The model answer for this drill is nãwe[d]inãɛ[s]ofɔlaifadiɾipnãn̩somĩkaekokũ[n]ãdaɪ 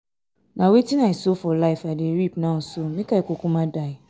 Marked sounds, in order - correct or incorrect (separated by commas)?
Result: incorrect, correct, incorrect